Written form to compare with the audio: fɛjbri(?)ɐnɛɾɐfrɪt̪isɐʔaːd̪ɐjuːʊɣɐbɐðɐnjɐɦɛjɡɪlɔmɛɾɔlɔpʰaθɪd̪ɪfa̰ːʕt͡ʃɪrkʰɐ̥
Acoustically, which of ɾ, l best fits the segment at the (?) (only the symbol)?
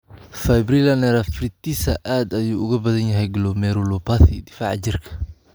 l